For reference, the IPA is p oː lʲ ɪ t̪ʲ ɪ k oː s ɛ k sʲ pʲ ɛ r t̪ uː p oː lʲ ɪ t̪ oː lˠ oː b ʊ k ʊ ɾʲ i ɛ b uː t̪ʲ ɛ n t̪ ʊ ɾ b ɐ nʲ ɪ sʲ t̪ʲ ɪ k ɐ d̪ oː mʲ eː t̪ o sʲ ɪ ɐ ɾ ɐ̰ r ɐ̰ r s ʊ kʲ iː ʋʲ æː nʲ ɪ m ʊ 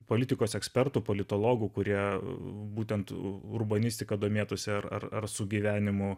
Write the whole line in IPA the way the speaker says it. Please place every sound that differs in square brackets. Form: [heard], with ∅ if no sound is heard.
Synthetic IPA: p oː lʲ ɪ t̪ʲ ɪ k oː s ɛ k sʲ pʲ ɛ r t̪ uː p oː lʲ ɪ t̪ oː lˠ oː [ɡ] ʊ k ʊ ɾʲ i ɛ b uː t̪ʲ ɛ n t̪ ʊ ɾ b ɐ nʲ ɪ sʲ t̪ʲ ɪ k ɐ d̪ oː mʲ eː t̪ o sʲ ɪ ɐ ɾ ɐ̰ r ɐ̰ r s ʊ [ɡʲ] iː ʋʲ æː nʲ ɪ m ʊ